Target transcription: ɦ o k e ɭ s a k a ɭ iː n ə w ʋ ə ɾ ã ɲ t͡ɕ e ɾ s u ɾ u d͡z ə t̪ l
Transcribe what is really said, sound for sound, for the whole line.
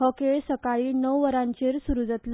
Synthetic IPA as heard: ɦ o k e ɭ s ə k a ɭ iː n ə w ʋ ə ɾ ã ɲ t͡ɕ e ɾ s u ɾ u d͡z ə t̪ l